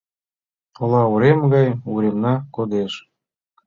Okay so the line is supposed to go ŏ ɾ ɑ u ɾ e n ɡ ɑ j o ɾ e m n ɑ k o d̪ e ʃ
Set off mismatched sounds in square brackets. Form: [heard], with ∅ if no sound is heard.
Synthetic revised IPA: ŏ [l] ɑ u ɾ e [m] ɡ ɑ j [u] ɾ e m n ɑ k o d̪ e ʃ